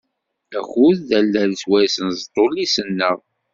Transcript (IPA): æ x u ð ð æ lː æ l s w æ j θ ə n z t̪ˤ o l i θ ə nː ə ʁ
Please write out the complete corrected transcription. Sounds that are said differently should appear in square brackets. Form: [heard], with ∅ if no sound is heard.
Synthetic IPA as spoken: æ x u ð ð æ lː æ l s w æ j [s] ə n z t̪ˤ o l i [s] ə nː ə ʁ

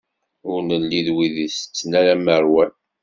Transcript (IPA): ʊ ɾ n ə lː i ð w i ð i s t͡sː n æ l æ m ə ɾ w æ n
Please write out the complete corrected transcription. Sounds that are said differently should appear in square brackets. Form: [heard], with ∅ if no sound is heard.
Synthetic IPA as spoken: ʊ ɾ n ə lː i ð w i ð i s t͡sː n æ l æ m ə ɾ w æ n

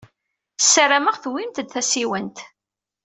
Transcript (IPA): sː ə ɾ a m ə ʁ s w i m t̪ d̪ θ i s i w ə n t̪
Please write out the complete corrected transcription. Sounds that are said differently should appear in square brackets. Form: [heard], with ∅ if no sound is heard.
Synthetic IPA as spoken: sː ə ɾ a m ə ʁ [θ] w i m t̪ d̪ θ [æ] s i w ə n t̪

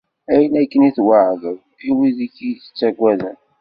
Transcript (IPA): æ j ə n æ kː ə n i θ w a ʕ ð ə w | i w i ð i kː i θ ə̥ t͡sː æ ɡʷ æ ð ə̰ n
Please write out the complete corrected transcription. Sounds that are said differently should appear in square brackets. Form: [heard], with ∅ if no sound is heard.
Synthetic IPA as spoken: æ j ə n æ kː ə n i θ w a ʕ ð ə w | i w i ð i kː i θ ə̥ t͡sː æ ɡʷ æ ð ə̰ n

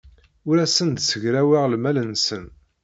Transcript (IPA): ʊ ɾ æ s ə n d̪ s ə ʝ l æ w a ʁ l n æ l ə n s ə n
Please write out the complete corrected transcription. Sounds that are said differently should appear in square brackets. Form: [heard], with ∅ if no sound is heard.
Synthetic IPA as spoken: ʊ ɾ æ s ə n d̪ s ə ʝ [ɾ] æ w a ʁ l [m] æ l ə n s ə n

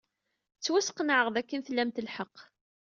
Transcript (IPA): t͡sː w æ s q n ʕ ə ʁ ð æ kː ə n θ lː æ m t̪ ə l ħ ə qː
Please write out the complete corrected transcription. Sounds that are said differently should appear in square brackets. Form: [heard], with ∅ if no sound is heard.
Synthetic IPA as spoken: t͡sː w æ s q n ʕ ə ʁ ð æ kː ə n θ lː æ m t̪ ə l ħ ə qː

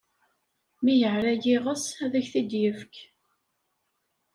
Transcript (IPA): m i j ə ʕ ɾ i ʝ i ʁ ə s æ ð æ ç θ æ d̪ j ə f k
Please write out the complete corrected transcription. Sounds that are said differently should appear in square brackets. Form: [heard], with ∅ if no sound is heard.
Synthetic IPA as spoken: m i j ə ʕ ɾ [æ] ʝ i ʁ ə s æ ð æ ç θ [i] d̪ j ə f k

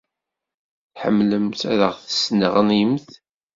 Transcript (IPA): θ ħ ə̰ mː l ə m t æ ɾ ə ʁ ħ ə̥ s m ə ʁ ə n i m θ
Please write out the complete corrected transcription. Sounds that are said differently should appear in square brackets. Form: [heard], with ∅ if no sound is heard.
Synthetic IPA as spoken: θ ħ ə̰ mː l ə m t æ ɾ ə ʁ [θ] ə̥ s [n] ə ʁ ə n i m θ

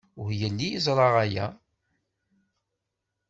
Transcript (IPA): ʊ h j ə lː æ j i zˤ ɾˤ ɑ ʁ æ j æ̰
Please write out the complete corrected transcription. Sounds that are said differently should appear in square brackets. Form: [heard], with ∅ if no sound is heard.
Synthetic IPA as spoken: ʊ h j ə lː [i] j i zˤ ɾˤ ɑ ʁ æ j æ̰

